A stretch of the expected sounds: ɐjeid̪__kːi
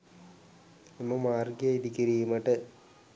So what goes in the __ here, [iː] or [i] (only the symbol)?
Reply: i